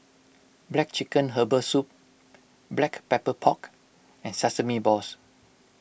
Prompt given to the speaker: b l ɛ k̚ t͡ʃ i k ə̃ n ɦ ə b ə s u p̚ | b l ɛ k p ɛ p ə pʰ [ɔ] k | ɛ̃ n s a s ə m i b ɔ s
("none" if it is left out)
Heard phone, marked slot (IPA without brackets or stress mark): ɔ